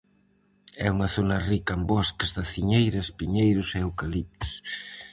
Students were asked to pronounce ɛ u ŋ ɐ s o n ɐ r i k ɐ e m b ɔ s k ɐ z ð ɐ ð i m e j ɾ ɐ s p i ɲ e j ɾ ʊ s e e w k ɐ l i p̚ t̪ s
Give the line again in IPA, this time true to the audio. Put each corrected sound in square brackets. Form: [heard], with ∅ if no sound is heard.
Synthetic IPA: ɛ u ŋ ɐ [θ] o n ɐ r i k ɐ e m b ɔ s k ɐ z ð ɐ [θ] i [ɲ] e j ɾ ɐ s p i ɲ e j ɾ ʊ s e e w k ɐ l i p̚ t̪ s